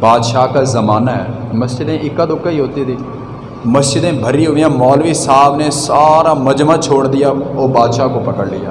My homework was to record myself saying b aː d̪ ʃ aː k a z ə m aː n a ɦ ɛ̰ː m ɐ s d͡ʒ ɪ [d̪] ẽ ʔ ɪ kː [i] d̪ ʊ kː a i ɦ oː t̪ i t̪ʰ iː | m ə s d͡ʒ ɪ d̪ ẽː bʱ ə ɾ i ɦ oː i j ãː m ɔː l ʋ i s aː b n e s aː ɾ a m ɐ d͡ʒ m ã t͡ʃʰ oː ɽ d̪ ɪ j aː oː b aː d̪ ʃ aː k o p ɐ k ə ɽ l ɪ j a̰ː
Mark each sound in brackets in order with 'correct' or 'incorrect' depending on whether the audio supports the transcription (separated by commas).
correct, incorrect